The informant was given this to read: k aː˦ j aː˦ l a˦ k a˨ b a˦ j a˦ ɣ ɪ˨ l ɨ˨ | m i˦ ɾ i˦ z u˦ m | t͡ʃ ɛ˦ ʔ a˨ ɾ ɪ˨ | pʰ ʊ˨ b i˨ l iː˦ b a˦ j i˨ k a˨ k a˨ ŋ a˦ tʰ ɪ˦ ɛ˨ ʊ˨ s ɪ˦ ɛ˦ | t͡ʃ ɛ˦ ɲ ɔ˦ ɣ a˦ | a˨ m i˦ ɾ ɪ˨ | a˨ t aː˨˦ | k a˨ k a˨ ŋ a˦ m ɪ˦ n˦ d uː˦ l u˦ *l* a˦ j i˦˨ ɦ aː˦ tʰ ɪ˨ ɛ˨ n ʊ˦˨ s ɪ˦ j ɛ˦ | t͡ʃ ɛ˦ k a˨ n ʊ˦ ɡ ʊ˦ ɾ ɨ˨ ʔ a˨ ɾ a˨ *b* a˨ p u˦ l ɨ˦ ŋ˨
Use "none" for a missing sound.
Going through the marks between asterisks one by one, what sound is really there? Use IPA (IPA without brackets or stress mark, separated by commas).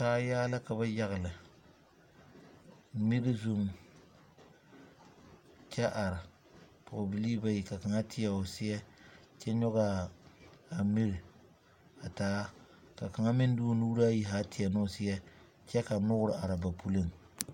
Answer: ɾ, b